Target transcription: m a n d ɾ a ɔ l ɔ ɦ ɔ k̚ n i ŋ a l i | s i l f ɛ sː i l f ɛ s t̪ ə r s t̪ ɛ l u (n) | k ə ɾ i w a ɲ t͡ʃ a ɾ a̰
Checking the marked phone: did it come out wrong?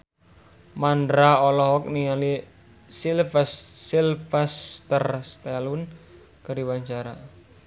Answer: no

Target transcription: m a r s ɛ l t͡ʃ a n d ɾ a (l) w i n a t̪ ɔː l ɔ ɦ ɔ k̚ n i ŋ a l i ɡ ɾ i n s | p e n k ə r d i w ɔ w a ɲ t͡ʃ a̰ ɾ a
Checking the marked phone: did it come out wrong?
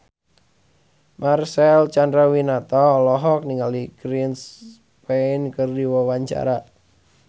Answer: yes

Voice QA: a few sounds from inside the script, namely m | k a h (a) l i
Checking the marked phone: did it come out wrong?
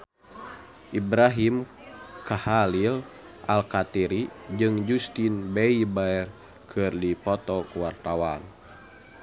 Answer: no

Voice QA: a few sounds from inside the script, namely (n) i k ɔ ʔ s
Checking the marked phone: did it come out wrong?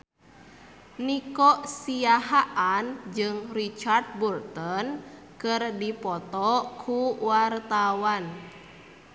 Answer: no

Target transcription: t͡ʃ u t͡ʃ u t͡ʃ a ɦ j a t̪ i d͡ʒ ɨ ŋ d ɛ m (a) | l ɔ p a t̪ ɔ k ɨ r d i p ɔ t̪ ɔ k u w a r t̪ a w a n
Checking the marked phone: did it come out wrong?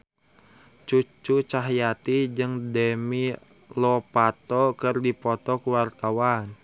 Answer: yes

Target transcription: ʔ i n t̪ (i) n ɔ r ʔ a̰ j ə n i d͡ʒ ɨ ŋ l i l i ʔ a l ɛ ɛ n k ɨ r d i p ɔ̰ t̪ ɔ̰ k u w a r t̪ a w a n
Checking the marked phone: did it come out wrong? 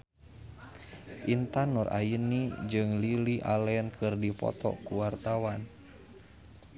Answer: yes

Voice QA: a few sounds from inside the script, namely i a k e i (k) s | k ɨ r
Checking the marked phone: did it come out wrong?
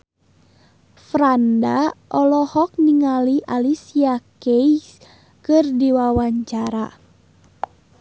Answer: yes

